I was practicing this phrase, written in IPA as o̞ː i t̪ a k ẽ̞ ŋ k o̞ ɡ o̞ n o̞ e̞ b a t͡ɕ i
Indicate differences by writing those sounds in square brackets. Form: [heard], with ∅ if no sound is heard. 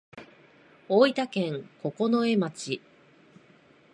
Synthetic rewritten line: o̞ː i t̪ a k ẽ̞ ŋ k o̞ [k] o̞ n o̞ e̞ [m] a t͡ɕ i